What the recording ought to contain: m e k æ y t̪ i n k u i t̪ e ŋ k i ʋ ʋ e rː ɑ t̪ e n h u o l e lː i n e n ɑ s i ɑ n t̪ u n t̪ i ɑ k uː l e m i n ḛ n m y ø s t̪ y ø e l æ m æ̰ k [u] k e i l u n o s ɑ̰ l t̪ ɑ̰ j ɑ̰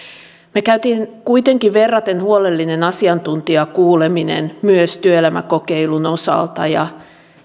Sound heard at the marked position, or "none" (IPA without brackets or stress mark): o